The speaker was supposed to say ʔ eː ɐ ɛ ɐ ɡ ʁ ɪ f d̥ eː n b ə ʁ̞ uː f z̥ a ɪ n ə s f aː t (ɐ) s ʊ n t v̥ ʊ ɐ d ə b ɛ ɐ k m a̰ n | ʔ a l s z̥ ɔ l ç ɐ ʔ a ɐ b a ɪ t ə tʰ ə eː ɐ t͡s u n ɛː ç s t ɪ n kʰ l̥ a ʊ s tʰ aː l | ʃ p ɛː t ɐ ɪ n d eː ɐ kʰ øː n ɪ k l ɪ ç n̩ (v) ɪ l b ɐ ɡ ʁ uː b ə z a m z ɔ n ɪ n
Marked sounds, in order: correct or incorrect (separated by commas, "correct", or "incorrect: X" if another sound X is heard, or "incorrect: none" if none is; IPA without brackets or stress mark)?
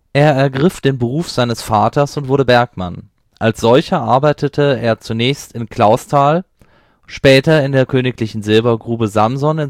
correct, incorrect: z